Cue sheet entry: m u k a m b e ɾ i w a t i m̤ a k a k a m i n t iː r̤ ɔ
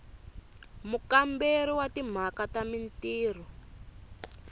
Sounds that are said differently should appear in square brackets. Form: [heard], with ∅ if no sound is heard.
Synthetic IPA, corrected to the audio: m u k a m b e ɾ i w a t i m̤ a k a [t] a m i n t iː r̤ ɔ